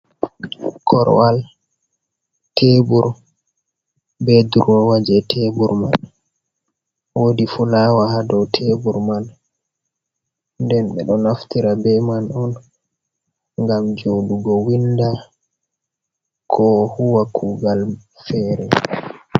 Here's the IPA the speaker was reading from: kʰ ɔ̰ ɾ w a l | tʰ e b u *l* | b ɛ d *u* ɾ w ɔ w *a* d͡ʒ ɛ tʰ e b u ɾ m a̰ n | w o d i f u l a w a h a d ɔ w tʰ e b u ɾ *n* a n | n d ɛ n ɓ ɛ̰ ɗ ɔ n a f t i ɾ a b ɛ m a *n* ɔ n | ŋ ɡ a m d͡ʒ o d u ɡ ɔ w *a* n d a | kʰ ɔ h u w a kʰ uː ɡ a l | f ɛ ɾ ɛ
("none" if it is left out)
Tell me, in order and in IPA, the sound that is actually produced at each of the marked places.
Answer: ɾ, u, a, m, n, i

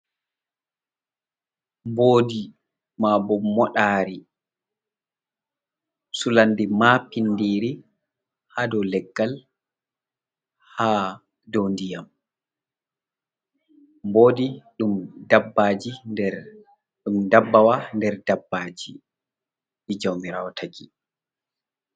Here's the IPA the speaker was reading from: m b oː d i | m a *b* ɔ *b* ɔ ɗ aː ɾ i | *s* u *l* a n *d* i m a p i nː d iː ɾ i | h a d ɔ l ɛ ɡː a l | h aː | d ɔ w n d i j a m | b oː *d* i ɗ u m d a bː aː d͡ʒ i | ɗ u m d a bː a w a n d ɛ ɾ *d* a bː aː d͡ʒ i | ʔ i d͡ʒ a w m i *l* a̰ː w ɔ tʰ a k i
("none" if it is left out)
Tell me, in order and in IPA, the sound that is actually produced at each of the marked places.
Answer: b, m, s, l, d, d, d, ɾ

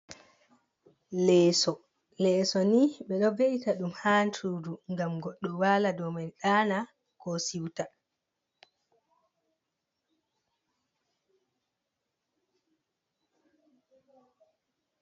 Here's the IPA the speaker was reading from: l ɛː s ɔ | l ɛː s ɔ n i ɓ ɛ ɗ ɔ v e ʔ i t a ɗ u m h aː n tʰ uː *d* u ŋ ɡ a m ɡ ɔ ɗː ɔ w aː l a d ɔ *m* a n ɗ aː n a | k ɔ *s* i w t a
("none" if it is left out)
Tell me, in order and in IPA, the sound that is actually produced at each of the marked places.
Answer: d, m, s

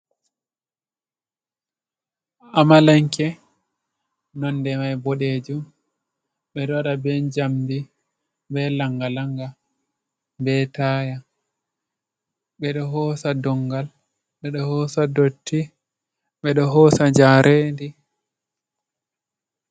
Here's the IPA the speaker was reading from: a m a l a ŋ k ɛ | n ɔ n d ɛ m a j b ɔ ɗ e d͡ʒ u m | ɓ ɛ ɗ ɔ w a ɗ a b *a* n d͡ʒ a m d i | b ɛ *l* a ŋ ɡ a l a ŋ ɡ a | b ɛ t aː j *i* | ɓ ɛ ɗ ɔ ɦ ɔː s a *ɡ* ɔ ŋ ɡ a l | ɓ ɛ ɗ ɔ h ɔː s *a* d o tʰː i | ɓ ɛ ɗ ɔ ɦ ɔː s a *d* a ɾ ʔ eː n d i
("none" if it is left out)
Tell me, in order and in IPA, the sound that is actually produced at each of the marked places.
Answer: ɛ, l, a, d, a, d͡ʒ

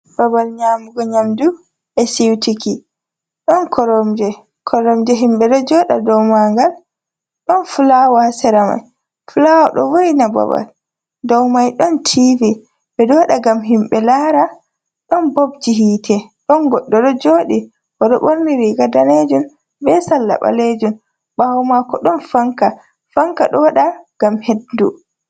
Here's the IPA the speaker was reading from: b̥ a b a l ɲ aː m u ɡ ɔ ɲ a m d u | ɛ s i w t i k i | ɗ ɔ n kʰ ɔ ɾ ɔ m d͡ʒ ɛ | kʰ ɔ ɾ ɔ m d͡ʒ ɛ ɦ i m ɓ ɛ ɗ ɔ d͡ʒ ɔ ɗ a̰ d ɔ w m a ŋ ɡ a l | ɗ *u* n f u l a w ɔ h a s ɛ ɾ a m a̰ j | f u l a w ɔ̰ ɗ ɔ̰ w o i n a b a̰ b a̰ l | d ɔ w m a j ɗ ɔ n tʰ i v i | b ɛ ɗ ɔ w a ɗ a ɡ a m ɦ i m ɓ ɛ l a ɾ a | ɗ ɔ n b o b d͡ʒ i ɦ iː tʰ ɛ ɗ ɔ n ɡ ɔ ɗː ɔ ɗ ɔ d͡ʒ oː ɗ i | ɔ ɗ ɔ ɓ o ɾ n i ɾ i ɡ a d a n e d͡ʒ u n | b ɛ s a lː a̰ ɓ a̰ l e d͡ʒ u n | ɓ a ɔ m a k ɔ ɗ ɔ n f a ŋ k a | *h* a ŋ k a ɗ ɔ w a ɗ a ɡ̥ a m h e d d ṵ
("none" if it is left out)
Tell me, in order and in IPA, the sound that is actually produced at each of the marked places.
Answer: ɔ, f

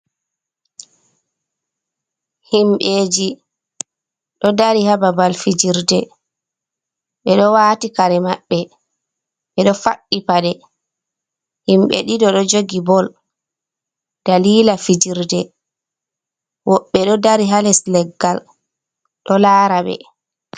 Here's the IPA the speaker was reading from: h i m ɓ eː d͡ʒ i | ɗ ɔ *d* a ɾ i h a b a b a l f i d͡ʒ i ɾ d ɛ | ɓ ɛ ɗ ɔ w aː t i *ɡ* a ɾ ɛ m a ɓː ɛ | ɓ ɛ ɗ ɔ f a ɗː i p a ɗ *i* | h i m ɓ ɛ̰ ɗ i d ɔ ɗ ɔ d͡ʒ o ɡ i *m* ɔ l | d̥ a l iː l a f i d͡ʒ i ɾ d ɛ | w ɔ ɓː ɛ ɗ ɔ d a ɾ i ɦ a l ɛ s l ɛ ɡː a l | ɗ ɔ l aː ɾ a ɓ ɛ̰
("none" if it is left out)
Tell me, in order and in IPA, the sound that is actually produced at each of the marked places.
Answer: d, k, ɛ, b

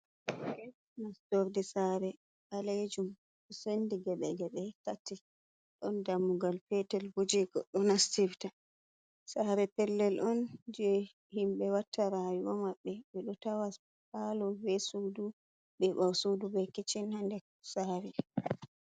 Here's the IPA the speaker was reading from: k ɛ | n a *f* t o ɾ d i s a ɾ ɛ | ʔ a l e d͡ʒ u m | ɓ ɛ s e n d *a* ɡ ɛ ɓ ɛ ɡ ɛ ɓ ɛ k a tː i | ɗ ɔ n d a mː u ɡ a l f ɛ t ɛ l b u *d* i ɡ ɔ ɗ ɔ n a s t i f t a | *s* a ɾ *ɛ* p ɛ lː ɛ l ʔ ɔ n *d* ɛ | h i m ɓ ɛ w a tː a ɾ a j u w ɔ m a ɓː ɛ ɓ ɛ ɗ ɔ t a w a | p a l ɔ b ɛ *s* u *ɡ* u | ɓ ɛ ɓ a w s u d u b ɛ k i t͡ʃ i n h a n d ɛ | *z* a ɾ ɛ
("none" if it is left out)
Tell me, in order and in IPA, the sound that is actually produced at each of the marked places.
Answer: s, i, d͡ʒ, s, ɛ, d͡ʒ, s, d, s

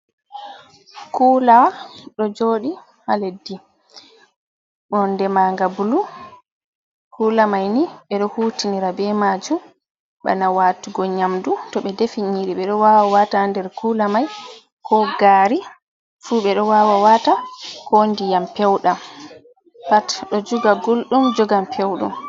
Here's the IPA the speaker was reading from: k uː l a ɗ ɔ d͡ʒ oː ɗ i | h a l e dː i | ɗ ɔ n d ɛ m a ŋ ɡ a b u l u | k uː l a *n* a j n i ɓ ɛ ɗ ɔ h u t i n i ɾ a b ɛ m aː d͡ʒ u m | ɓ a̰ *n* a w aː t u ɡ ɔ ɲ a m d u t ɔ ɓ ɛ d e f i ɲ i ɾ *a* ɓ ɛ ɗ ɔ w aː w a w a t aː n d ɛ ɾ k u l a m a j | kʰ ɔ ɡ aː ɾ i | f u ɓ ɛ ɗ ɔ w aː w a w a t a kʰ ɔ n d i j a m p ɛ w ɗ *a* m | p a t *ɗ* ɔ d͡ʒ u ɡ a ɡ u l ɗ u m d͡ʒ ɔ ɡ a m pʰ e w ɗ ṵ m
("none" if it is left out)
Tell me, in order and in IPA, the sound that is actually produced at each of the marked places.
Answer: m, n, i, a, ɗ

